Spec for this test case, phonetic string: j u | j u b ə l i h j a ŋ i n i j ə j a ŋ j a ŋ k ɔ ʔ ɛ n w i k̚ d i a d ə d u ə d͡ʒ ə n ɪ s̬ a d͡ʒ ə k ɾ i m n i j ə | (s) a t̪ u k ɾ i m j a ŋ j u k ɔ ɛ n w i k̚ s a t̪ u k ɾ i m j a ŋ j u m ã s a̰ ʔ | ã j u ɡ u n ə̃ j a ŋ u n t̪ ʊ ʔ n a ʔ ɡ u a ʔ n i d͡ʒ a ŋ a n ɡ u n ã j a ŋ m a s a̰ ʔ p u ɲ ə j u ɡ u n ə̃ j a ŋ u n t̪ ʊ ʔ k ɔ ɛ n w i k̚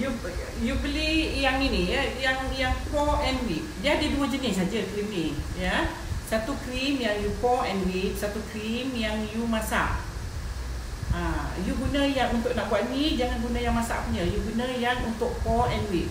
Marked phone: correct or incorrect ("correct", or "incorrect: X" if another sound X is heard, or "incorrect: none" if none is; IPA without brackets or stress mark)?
correct